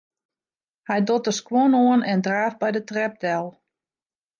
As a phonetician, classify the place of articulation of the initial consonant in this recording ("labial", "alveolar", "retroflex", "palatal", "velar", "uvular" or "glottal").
glottal